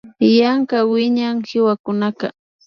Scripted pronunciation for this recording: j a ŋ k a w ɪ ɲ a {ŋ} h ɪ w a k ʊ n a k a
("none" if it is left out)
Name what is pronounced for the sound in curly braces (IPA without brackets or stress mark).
ŋ